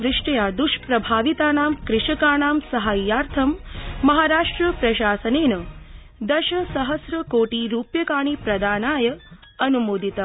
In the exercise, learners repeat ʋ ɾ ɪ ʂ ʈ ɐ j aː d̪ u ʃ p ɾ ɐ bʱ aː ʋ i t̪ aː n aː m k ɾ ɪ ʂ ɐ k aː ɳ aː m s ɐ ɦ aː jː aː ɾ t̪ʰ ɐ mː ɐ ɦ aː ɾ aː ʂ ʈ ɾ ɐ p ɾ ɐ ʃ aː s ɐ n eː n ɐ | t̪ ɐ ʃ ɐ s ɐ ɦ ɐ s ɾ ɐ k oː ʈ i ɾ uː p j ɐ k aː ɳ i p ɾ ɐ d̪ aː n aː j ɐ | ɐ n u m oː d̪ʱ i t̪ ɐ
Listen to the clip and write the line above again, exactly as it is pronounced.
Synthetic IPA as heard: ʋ ɾ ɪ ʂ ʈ ɐ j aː d̪ u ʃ p ɾ ɐ bʱ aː ʋ i t̪ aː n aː m k ɾ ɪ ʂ ɐ k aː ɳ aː m s ɐ ɦ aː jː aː ɾ t̪ʰ ɐ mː ɐ ɦ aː ɾ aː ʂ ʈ ɾ ɐ p ɾ ɐ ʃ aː s ɐ n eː n ɐ | d̪ ɐ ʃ ɐ s ɐ ɦ ɐ s ɾ ɐ k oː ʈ i ɾ uː p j ɐ k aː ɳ i p ɾ ɐ d̪ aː n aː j ɐ | ɐ n u m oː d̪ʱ i t̪ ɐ